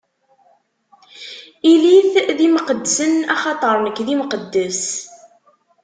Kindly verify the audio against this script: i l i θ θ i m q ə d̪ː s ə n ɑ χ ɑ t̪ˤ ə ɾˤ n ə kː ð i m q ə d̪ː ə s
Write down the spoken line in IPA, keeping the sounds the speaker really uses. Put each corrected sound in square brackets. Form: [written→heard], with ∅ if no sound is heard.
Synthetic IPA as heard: i l i θ [θ→ð] i m q ə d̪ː s ə n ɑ χ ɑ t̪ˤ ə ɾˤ n ə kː ð i m q ə d̪ː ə s